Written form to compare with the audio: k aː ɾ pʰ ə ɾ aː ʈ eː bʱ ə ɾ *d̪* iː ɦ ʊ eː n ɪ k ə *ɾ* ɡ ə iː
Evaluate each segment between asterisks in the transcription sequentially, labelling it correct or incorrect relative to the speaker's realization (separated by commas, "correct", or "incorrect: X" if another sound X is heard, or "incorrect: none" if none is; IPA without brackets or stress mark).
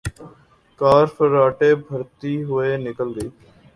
incorrect: t̪, incorrect: l